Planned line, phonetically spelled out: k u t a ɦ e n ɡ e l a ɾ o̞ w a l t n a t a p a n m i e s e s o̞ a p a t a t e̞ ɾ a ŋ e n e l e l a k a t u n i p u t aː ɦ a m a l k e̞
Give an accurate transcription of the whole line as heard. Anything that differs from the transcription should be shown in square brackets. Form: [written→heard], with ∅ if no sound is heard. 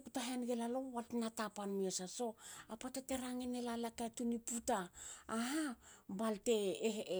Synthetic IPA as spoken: k u t a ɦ e n ɡ e l a [ɾ→l] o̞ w a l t n a t a p a n m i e s [e→a] s o̞ a p a t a t e̞ ɾ a ŋ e n e l [e→a] l a k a t u n i p u t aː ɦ a [m→b] a l [k→t] e̞